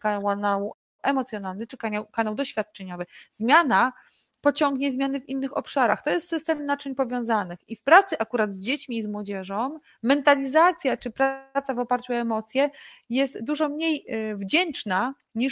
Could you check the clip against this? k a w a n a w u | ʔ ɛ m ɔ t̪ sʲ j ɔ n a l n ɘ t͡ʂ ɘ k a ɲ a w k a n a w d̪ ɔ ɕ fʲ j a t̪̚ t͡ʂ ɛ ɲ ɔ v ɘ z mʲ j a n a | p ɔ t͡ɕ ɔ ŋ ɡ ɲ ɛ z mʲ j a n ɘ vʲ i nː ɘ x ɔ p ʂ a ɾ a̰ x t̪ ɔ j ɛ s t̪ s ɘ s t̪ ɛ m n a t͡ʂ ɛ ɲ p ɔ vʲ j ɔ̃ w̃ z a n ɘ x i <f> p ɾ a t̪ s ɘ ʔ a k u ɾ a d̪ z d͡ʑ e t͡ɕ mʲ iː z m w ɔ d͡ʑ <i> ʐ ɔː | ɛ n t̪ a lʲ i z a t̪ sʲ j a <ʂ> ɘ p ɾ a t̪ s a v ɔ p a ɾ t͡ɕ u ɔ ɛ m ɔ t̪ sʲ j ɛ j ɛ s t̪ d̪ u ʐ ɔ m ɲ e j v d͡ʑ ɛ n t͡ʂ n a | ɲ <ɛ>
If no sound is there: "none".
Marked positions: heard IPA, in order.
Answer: f, ɛ, t͡ʂ, i

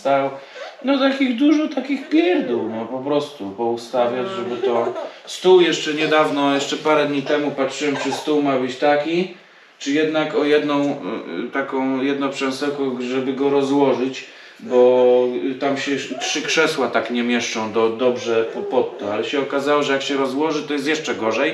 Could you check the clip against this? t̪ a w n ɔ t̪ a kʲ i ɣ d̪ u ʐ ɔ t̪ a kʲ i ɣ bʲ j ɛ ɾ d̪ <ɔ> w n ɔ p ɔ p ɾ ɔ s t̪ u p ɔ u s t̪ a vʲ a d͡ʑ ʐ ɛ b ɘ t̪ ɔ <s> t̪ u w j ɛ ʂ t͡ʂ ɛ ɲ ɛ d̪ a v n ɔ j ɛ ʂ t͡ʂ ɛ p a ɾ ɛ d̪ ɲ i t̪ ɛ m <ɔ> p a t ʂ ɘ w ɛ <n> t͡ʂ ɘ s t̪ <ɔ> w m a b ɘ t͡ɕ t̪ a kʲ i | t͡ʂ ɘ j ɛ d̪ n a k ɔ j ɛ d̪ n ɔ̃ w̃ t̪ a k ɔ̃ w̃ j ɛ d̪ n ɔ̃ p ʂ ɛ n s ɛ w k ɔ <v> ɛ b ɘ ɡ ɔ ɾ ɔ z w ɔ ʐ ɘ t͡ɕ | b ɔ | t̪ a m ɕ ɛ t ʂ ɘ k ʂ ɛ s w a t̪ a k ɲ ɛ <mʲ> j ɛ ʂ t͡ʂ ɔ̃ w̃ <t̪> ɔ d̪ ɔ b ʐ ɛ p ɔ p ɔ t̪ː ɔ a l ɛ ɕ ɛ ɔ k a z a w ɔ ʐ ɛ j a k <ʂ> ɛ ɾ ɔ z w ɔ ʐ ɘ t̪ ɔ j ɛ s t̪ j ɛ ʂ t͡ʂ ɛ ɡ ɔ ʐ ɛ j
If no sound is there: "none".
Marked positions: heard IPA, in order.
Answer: u, s, u, m, u, ʐ, mʲ, d̪, ɕ

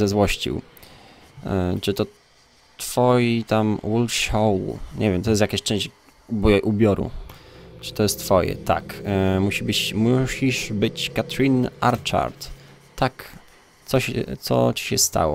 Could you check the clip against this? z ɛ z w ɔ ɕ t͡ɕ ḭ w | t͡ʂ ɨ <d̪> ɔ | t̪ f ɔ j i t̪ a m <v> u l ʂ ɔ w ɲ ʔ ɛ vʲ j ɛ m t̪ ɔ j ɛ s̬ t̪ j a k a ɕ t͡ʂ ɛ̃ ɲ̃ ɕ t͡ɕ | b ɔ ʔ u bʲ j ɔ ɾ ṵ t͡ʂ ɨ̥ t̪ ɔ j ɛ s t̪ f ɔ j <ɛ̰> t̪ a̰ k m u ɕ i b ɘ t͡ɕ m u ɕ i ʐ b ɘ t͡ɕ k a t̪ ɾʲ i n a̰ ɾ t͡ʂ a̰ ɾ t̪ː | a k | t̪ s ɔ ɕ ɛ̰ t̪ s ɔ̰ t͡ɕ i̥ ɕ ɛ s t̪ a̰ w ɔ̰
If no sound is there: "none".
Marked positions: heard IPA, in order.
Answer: t̪, w, ɛ̰

